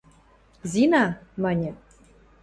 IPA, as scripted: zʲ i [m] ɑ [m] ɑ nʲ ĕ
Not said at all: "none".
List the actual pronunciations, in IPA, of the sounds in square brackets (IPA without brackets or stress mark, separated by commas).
n, m